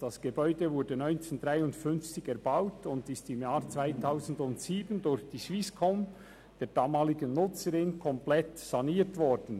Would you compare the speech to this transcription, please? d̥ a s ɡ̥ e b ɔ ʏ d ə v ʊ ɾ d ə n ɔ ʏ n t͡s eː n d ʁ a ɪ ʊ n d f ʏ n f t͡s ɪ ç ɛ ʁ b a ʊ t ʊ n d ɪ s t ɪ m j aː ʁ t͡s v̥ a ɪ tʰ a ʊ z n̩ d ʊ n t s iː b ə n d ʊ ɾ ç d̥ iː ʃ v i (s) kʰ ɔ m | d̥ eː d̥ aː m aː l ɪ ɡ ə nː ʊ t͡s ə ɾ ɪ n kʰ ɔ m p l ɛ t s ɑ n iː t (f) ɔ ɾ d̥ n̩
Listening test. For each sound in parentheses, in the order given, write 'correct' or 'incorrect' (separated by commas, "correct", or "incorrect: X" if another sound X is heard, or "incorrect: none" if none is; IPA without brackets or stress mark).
correct, incorrect: v